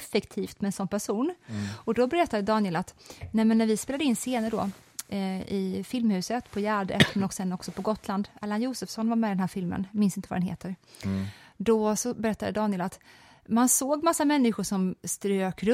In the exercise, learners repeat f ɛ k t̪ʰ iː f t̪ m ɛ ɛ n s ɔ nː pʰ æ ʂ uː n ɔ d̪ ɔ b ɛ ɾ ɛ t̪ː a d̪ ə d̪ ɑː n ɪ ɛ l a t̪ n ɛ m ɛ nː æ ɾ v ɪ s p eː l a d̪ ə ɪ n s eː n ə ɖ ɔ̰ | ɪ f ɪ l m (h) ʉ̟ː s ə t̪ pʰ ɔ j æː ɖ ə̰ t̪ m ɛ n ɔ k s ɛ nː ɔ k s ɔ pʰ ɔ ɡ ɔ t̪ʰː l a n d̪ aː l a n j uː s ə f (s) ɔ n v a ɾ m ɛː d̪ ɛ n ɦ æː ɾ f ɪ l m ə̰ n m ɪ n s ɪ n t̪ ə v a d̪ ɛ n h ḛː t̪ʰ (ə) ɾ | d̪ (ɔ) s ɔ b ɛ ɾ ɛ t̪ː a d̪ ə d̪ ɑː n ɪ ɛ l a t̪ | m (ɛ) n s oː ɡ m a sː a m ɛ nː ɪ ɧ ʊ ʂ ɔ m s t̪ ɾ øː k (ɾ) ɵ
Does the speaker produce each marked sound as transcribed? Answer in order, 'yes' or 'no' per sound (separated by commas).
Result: yes, yes, yes, yes, no, yes